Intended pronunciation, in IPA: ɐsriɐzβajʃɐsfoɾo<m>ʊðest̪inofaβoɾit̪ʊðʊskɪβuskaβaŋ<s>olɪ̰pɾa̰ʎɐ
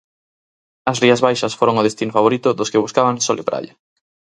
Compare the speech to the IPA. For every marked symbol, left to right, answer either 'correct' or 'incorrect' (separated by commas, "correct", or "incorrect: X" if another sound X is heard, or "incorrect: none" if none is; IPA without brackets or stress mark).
incorrect: ŋ, correct